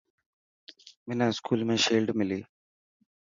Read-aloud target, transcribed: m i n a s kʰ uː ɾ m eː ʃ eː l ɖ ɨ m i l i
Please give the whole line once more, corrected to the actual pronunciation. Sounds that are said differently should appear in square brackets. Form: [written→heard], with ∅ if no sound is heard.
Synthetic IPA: m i n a s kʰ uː [ɾ→l] m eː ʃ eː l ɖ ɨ m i l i